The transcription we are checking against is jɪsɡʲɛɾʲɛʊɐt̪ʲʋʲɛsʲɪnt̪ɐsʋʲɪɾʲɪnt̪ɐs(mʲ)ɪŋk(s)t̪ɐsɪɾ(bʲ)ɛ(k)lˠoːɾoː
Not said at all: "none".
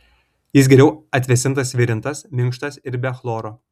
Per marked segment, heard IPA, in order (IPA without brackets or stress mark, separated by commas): mʲ, ʃ, bʲ, x